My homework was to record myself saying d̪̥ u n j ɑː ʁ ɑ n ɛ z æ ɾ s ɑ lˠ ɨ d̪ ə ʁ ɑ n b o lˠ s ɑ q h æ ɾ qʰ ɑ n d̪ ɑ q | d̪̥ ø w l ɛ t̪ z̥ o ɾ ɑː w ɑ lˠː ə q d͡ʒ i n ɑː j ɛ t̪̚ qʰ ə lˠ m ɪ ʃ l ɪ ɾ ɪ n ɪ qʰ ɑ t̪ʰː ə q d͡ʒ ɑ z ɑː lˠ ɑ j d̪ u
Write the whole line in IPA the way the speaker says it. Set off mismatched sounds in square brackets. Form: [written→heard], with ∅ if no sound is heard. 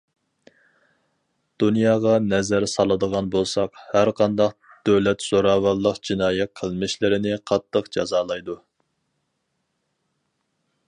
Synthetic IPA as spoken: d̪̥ u n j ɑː ʁ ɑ n ɛ z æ ɾ s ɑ lˠ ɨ d̪ ə ʁ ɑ n b o lˠ s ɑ q h æ ɾ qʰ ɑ n d̪ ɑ q | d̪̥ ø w l ɛ t̪ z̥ o ɾ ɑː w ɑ lˠː ə q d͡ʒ i n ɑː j ɛ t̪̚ qʰ ə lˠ m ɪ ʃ l ɪ ɾ ɪ n ɪ qʰ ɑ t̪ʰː ə q d͡ʒ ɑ z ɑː lˠ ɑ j d̪ u